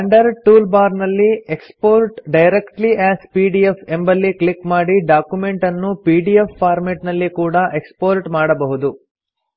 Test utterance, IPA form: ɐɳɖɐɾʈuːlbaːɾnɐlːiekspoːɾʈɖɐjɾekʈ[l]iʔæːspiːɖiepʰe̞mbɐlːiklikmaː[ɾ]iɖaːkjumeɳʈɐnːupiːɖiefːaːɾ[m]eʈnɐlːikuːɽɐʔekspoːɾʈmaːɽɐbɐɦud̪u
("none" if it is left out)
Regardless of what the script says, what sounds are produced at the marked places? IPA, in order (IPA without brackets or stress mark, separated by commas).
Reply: l, ɽ, m